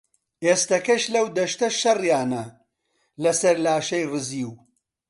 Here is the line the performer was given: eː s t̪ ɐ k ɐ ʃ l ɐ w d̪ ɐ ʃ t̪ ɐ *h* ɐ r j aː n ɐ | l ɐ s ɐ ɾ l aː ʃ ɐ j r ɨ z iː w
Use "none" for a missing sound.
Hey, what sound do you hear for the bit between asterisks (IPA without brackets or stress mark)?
ʃ